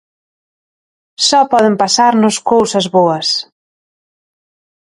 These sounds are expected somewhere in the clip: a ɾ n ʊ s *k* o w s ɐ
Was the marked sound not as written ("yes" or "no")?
no